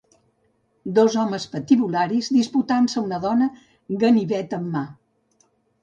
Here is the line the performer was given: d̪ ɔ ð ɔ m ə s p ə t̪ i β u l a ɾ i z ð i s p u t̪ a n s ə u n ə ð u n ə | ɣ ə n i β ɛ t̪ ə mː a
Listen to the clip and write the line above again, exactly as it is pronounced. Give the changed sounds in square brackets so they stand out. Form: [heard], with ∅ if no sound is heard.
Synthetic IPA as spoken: d̪ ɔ [z] ɔ m ə s p ə t̪ i β u l a ɾ i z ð i s p u t̪ a n s ə u n ə ð [ɔ] n ə | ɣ ə n i β ɛ t̪ ə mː a